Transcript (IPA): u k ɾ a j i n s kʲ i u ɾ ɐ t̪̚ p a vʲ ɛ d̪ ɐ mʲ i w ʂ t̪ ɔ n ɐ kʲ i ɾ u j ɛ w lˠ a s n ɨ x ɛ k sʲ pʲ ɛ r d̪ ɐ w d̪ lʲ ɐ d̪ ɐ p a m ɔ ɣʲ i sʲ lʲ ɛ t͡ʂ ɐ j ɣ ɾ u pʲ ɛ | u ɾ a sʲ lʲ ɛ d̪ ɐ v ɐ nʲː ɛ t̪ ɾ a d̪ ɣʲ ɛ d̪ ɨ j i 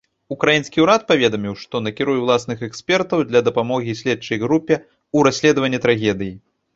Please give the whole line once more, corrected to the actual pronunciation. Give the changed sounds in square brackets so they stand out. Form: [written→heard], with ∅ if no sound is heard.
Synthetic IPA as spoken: u k ɾ a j i n s kʲ i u ɾ [ɐ→a] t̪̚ p a vʲ ɛ d̪ ɐ mʲ i w ʂ t̪ ɔ n ɐ kʲ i ɾ u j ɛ w lˠ a s n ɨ x ɛ k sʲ pʲ ɛ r [d̪→t̪] ɐ w d̪ lʲ ɐ d̪ ɐ p a m ɔ ɣʲ i sʲ lʲ ɛ t͡ʂ ɐ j ɣ ɾ u pʲ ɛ | u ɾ a sʲ lʲ ɛ d̪ ɐ v ɐ nʲː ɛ t̪ ɾ a [d̪→∅] ɣʲ ɛ d̪ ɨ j i